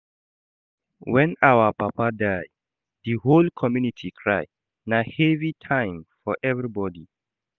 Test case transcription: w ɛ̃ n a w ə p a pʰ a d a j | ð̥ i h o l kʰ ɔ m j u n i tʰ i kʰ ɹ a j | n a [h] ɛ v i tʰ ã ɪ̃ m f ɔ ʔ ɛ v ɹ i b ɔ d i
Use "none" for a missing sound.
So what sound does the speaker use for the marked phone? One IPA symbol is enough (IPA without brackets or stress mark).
h